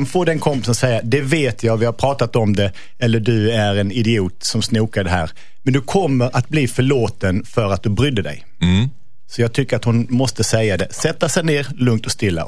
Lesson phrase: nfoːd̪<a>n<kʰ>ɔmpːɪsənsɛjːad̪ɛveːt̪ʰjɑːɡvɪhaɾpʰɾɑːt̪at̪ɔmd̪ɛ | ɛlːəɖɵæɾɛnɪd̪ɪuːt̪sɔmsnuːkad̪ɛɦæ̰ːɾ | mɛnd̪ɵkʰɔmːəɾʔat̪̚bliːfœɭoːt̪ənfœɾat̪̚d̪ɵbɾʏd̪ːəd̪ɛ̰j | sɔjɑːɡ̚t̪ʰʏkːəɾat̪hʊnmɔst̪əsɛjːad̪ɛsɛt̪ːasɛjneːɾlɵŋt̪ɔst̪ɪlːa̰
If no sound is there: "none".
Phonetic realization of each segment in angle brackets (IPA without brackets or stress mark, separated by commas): ɛ, kʰ